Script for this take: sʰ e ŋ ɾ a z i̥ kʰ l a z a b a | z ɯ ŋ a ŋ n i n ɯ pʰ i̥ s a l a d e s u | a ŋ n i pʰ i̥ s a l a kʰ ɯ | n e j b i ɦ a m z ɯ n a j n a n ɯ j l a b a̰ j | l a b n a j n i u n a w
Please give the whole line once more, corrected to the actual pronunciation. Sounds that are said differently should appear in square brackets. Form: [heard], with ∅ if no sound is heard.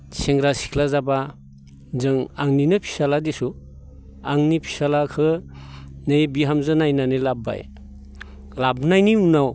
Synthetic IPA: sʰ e ŋ ɾ a [s] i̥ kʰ l a z a b a | z ɯ ŋ a ŋ n i n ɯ pʰ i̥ s a l a d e s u | a ŋ n i pʰ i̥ s a l a kʰ ɯ | n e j b i ɦ a m z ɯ n a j n a n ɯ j l a b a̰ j | l a b n a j n i u n a w

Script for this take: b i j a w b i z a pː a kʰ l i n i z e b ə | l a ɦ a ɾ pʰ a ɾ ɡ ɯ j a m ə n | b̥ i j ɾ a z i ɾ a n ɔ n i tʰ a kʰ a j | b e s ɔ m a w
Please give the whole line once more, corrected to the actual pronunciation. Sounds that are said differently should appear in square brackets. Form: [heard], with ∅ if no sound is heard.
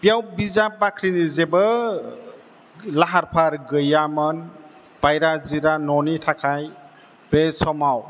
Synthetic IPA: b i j a w b i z a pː a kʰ [ɾ] i n i z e b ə | l a ɦ a ɾ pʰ a ɾ ɡ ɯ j a m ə n | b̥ [a] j ɾ a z i ɾ a n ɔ n i tʰ a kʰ a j | b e s ɔ m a w

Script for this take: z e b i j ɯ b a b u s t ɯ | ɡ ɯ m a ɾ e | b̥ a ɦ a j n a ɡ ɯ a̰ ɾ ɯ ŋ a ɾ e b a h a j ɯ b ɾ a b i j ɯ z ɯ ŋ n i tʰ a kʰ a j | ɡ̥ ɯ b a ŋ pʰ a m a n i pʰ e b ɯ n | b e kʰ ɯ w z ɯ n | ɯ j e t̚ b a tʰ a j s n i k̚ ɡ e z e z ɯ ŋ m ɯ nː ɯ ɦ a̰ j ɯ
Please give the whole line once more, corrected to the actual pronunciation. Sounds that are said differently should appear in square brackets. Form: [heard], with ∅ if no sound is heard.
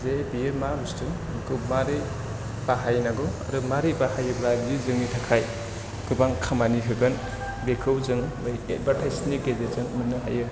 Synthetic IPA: z e b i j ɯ [m] a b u s t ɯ | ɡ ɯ m a ɾ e | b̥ a ɦ a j n a ɡ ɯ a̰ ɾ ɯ [m] a ɾ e b a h a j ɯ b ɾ a b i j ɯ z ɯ ŋ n i tʰ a kʰ a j | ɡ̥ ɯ b a ŋ [kʰ] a m a n i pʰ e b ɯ n | b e kʰ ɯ w z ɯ [ŋ] | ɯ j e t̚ b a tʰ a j s n i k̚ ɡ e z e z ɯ ŋ m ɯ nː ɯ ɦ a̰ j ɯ

